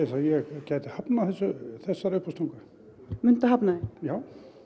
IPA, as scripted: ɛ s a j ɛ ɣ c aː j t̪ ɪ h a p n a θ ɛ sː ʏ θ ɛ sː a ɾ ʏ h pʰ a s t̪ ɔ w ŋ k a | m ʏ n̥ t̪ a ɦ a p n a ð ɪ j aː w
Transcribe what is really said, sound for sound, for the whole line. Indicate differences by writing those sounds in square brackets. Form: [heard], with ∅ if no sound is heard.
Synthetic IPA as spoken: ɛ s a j ɛ ɣ c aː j t̪ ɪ h a p n a θ ɛ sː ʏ θ ɛ sː a ɾ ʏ h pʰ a s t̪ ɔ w ŋ k a | m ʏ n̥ t̪ a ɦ a p n a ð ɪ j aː w